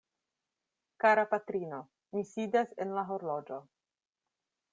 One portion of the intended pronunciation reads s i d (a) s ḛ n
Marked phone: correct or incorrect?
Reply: correct